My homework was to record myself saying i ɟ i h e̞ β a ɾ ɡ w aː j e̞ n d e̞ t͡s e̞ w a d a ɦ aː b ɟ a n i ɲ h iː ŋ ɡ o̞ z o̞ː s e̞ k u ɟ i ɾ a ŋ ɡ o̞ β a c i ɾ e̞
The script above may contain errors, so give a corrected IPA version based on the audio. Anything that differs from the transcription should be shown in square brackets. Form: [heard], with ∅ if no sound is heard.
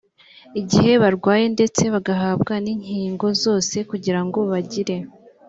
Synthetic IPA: i ɟ i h e̞ β a ɾ ɡ w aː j e̞ n d e̞ t͡s e̞ [β] a [ɡ] a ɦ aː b [ɡ] a n i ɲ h iː ŋ ɡ o̞ z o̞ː s e̞ k u ɟ i ɾ a ŋ ɡ o̞ β a [ɟ] i ɾ e̞